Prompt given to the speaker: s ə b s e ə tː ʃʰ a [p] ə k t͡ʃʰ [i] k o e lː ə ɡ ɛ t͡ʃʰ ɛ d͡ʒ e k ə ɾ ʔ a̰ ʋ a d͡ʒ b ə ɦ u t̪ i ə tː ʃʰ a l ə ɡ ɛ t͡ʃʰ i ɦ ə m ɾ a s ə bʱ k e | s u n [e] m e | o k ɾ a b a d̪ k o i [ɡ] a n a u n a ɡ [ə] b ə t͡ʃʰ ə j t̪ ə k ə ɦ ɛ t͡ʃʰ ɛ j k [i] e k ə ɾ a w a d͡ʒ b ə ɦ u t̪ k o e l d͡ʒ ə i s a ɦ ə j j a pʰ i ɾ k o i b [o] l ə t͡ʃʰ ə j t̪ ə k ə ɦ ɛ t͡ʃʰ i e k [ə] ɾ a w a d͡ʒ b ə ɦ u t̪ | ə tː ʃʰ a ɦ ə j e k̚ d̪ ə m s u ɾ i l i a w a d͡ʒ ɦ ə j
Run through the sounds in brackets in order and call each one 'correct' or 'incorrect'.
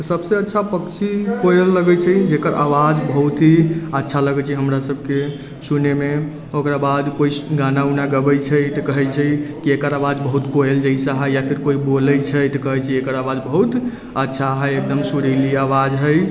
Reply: correct, correct, correct, correct, correct, correct, correct, correct

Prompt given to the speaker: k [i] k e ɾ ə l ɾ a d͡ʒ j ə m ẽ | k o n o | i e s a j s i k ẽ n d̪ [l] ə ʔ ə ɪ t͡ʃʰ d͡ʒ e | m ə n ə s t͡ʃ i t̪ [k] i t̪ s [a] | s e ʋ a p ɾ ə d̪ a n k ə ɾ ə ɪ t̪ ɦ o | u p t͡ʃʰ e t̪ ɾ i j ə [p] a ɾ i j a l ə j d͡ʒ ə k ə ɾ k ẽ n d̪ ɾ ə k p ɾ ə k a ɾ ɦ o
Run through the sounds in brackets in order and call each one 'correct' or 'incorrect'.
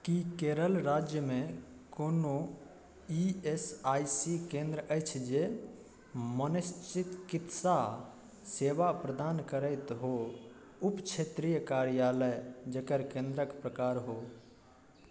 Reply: correct, incorrect: ɾ, correct, correct, incorrect: k

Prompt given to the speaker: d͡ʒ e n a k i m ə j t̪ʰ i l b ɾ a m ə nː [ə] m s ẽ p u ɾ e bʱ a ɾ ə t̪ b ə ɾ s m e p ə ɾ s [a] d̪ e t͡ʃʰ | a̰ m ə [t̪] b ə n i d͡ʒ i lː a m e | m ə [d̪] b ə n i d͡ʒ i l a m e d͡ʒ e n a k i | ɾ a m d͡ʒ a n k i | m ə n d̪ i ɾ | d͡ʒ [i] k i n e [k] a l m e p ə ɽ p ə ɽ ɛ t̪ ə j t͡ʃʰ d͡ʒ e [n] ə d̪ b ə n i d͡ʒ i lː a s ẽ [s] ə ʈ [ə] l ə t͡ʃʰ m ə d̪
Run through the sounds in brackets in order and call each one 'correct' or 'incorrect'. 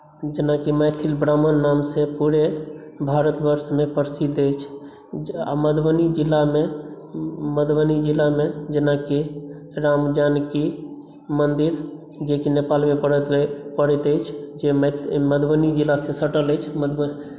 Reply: incorrect: a, incorrect: i, incorrect: d̪, correct, incorrect: e, incorrect: p, incorrect: m, correct, correct

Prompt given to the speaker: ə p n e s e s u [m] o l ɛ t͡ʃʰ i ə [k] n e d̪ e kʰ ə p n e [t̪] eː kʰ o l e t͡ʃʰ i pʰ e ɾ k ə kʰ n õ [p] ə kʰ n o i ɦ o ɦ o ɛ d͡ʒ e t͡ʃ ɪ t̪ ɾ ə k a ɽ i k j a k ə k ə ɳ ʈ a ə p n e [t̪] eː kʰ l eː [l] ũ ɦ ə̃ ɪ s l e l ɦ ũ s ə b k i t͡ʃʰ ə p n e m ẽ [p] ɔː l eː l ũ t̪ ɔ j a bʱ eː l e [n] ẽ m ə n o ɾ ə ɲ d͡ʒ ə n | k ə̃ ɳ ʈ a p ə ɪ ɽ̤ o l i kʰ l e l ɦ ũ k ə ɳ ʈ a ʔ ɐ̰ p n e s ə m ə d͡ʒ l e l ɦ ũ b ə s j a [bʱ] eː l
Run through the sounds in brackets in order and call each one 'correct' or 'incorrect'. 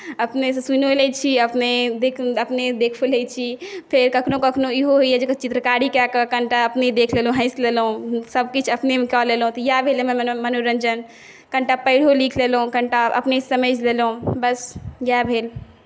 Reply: incorrect: n, incorrect: p, incorrect: d̪, incorrect: k, incorrect: d̪, correct, incorrect: k, incorrect: m, correct

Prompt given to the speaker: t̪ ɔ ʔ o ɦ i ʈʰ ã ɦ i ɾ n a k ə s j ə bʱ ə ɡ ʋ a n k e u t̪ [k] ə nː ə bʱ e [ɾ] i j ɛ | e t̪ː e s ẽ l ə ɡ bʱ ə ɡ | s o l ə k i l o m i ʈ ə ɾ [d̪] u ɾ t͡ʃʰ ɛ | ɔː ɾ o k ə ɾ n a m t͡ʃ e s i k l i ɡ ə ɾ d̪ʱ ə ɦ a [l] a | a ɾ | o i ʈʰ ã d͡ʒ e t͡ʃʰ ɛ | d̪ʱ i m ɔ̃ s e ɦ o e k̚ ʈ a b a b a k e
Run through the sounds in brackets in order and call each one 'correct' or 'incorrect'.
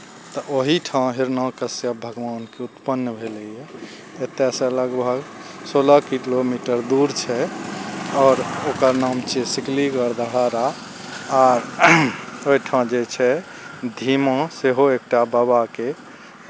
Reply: incorrect: p, incorrect: l, correct, incorrect: ɾ

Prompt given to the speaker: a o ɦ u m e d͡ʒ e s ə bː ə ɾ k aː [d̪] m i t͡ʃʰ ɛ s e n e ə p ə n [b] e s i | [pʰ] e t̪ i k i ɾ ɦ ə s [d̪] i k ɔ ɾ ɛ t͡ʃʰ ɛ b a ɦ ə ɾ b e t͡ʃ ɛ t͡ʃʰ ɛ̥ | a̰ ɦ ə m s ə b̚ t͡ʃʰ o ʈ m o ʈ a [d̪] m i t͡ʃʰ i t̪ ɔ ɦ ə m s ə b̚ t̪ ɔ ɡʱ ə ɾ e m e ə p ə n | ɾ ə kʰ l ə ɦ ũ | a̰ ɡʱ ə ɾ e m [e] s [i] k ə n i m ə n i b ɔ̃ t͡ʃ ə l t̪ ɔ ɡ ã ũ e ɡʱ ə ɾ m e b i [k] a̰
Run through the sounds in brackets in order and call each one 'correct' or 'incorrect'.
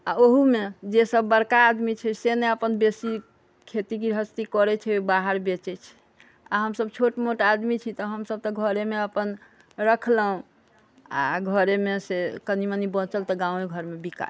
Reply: correct, correct, incorrect: kʰ, incorrect: t̪, correct, correct, incorrect: e, correct

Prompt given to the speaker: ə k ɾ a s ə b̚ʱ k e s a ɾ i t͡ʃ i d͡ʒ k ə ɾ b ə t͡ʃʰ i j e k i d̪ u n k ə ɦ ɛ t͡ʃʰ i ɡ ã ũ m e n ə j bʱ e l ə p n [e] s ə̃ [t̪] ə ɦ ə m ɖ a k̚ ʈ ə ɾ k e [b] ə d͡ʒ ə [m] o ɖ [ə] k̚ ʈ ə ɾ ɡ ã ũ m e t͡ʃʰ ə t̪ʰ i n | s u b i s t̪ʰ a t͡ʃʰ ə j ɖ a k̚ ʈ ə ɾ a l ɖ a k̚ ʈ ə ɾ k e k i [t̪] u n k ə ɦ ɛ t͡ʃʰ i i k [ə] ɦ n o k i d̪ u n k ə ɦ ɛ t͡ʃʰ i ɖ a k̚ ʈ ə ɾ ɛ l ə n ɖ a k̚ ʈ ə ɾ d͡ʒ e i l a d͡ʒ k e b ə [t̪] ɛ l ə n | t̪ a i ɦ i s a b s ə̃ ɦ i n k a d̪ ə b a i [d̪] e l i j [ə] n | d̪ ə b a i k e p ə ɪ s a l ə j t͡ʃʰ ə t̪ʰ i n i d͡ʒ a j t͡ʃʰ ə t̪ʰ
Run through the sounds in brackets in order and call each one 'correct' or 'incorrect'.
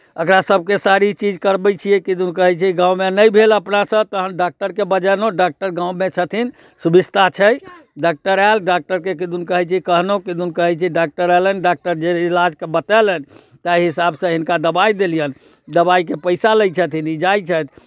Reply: incorrect: a, correct, correct, incorrect: n, incorrect: a, incorrect: d̪, correct, correct, correct, correct

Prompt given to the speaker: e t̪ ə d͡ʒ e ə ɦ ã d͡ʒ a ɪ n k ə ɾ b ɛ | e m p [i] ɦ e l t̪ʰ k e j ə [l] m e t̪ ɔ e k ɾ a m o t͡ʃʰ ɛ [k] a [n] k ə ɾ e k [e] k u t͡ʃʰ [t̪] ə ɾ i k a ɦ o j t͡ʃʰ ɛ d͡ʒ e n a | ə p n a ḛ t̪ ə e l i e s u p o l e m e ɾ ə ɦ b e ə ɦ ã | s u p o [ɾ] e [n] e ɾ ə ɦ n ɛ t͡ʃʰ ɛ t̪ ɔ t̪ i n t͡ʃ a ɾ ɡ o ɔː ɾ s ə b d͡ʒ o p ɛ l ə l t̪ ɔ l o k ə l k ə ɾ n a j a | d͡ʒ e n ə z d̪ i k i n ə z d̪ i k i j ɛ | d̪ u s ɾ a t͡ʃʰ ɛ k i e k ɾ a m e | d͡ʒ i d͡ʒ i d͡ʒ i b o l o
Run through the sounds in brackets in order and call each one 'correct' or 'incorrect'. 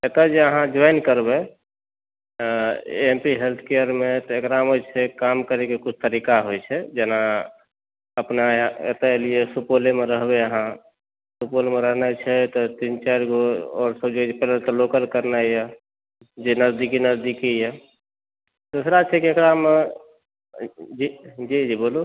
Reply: correct, incorrect: ɾ, correct, incorrect: m, correct, correct, incorrect: l, incorrect: m

